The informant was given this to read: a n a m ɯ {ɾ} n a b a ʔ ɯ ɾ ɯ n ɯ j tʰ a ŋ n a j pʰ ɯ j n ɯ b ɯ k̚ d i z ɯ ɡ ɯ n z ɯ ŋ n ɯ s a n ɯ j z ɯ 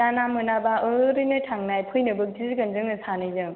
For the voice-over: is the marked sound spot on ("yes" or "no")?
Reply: no